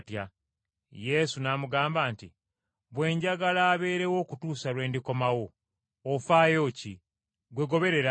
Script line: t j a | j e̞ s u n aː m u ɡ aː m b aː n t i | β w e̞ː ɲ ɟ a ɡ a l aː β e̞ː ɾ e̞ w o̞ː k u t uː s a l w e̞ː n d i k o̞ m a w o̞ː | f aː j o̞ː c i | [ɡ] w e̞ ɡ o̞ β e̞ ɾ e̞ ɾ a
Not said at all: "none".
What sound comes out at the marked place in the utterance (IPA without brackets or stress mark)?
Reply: ɡ